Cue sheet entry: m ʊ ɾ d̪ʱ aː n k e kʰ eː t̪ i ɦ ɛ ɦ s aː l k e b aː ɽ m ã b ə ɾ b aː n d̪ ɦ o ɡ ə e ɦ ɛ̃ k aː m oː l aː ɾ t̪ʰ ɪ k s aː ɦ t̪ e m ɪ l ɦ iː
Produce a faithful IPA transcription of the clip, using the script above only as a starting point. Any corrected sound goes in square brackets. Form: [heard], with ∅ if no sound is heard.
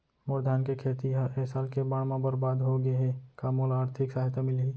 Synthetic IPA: m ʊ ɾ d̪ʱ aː n k e kʰ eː t̪ i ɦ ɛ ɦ s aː l k e b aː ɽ m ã b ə ɾ b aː [∅] d̪ ɦ o ɡ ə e ɦ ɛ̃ k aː m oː l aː ɾ t̪ʰ ɪ k s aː ɦ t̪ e m ɪ l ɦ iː